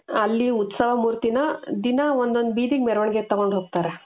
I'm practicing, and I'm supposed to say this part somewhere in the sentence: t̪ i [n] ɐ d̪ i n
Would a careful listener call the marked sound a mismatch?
no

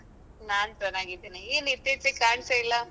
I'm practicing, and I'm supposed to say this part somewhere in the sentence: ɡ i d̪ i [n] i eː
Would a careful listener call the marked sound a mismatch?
no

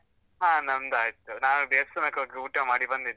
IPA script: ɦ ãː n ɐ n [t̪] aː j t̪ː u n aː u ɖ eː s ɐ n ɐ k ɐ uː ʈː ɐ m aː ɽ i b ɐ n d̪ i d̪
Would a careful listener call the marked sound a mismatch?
yes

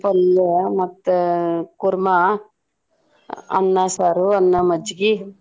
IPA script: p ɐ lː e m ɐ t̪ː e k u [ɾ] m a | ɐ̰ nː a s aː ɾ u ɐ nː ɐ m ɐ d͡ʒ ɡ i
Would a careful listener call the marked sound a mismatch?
no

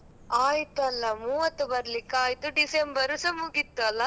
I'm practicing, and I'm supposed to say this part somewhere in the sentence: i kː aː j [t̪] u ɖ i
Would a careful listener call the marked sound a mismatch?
no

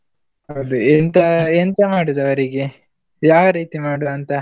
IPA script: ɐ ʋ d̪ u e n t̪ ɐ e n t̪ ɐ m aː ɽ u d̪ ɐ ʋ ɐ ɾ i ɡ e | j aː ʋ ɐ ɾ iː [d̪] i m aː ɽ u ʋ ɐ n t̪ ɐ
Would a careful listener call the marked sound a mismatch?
yes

